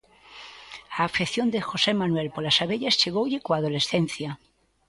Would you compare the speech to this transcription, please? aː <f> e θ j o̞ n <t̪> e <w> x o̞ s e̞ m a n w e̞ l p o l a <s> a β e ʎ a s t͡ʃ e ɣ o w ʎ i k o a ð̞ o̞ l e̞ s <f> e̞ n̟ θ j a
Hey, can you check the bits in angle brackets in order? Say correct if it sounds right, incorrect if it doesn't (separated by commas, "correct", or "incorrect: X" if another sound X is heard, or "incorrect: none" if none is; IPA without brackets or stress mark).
correct, incorrect: d̪, incorrect: none, correct, incorrect: θ